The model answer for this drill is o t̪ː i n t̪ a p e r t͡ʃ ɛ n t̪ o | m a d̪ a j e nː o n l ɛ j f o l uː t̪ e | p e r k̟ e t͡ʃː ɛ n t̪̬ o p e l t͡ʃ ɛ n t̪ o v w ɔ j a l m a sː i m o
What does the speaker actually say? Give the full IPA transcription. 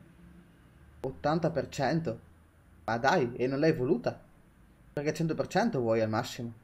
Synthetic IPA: o t̪ː a n t̪ a p e r t͡ʃ ɛ n t̪ o | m a d̪ a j e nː o n l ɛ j v o l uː t̪ a | p e r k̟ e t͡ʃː ɛ n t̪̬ o p e r t͡ʃ ɛ n t̪ o v w ɔ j a l m a sː i m o

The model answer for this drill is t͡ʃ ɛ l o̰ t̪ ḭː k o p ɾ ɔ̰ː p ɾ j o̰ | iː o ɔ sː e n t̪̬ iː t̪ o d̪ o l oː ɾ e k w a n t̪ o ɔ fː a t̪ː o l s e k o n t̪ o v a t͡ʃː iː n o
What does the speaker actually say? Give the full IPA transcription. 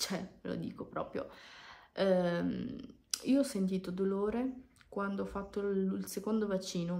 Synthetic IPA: t͡ʃ ɛ l o̰ d̪ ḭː k o p ɾ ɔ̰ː p ɾ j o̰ | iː o ɔ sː e n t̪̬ iː t̪ o d̪ o l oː ɾ e k w a n d̪ o ɔ fː a t̪ː o l s e k o n d̪ o v a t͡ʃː iː n o

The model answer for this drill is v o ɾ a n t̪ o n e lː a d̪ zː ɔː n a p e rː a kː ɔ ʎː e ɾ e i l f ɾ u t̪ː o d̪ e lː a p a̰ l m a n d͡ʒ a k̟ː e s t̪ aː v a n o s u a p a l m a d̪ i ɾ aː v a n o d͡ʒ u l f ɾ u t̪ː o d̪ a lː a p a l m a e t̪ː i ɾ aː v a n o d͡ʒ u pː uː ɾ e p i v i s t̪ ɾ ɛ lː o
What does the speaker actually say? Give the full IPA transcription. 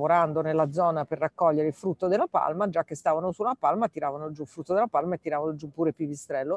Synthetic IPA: v o ɾ a n d̪ o n e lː a d̪ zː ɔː n a p e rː a kː ɔ ʎː e ɾ e i l f ɾ u t̪ː o d̪ e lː a p a̰ l m a d͡ʒ a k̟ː e s t̪ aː v a n o s u a p a l m a t̪ i ɾ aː v a n o d͡ʒ u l f ɾ u t̪ː o d̪ e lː a p a l m a e t̪ː i ɾ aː v a n o d͡ʒ u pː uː ɾ e p i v i s t̪ ɾ ɛ lː o

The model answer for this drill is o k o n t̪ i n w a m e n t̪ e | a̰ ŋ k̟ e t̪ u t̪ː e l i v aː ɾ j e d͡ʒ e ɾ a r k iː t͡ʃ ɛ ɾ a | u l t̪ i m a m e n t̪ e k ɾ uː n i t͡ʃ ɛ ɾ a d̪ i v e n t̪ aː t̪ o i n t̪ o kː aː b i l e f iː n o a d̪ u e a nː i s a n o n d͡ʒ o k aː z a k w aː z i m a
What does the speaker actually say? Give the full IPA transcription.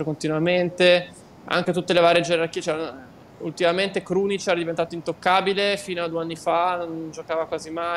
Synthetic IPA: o k o n t̪ i n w a m e n t̪ e | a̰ ŋ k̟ e t̪ u t̪ː e l e v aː ɾ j e d͡ʒ e ɾ a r k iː t͡ʃ ɛ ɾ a | u l t̪ i m a m e n t̪ e k ɾ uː n i t͡ʃ ɛ ɾ a d̪ i v e n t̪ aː t̪ o i n t̪ o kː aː b i l e f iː n o a d̪ u e a nː i f a n o n d͡ʒ o k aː v a k w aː z i m a

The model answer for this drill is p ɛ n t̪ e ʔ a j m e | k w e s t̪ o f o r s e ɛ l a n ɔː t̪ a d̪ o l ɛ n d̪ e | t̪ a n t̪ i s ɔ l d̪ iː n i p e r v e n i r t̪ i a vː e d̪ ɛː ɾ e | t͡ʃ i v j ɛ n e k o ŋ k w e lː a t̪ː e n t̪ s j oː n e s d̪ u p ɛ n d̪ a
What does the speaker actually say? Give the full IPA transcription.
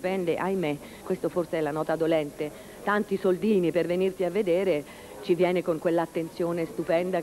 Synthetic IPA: p ɛ n d̪ e ʔ a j m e | k w e s t̪ o f o r s e ɛ l a n ɔː t̪ a d̪ o l ɛ n t̪ e | t̪ a n t̪ i s o l d̪ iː n i p e r v e n i r t̪ i a vː e d̪ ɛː ɾ e | t͡ʃ i v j ɛː n e k o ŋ k w e lː a t̪ː e n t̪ s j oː n e s t̪ u p ɛ n d̪ a

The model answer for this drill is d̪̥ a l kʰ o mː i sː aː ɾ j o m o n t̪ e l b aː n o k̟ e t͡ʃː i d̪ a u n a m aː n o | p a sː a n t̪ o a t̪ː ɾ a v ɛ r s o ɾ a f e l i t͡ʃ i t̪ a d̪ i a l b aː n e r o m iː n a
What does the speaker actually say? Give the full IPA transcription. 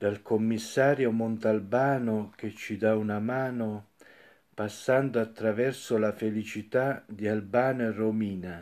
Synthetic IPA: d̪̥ a l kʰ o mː i sː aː ɾ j o m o n t̪ a l b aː n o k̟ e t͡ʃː i d̪ a u n a m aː n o | p a sː a n d̪ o a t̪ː ɾ a v ɛ r s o l a f e l i t͡ʃ i t̪ a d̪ i a l b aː n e r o m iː n a

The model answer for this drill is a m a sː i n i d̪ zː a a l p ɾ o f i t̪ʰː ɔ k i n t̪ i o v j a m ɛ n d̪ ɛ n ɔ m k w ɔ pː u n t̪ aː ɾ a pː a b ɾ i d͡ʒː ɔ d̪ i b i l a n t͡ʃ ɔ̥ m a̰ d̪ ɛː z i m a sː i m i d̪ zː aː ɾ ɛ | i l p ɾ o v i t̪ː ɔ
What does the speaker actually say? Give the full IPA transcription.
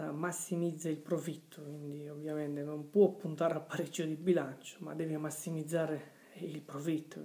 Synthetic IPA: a m a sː i m i d̪ zː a i l p ɾ o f i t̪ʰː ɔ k i n d̪ i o v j a m ɛ n t̪ ɛ n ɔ m p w ɔ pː u n t̪ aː ɾ a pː a ɾ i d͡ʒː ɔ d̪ i b i l a n t͡ʃ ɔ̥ m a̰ d̪ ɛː v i m a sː i m i d̪ zː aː ɾ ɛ | i l p ɾ o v i t̪ː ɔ

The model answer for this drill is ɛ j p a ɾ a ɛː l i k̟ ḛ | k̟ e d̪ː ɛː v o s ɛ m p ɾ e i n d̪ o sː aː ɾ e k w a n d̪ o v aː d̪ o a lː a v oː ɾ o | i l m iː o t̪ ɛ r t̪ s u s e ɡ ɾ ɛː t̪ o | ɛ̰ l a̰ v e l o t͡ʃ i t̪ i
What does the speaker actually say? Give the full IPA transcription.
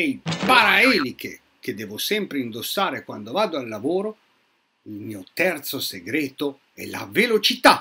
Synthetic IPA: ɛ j p a ɾ a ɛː l i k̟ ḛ | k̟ e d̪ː ɛː v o s ɛ m p ɾ e i n d̪ o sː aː ɾ e k w a n d̪ o v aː d̪ o a lː a v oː ɾ o | i l m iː o t̪ ɛ r t̪ s o s e ɡ ɾ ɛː t̪ o | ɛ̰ l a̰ v e l o t͡ʃ i t̪ a

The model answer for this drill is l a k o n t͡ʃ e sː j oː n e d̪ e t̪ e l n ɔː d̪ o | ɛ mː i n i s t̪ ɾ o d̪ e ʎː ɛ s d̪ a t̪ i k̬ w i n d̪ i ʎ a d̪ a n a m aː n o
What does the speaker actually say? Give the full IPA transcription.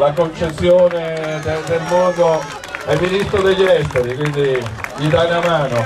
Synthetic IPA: l a k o n t͡ʃ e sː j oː n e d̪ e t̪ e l m ɔː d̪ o | ɛ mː i n i s t̪ ɾ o d̪ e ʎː ɛ s t̪ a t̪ i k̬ w i n d̪ i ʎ i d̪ a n a m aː n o

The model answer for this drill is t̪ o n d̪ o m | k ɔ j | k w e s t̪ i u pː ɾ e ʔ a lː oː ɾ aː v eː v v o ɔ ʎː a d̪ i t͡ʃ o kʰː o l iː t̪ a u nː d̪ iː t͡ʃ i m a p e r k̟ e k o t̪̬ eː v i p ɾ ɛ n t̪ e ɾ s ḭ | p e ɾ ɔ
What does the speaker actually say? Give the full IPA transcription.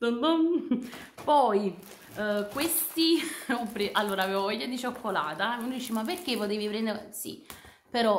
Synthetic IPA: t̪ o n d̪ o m | p ɔ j | k w e s t̪ i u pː ɾ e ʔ a lː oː ɾ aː v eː v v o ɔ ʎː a d̪ i t͡ʃ o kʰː o l aː t̪ a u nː d̪ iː t͡ʃ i m a p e r k̟ e p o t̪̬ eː v i p ɾ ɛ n d̪ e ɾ s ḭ | p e ɾ ɔ

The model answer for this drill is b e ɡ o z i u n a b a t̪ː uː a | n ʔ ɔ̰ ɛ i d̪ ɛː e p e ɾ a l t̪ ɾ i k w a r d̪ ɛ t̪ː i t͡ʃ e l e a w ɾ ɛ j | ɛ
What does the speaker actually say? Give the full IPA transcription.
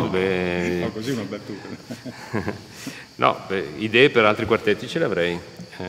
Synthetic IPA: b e k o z i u n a b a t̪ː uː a | n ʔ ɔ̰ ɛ i d̪ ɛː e p e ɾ a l t̪ ɾ i k w a r t̪ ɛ t̪ː i t͡ʃ e l e a v ɾ ɛ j | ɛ

